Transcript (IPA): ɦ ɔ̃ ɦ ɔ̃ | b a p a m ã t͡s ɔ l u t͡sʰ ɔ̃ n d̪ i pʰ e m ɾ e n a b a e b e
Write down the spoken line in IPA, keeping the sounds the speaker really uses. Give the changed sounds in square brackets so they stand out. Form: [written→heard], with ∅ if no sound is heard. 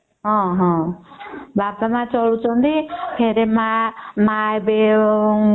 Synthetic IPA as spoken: ɦ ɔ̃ ɦ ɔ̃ | b a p a m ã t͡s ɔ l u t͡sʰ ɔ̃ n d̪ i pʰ e [m→∅] ɾ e [n→m] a [b→m] a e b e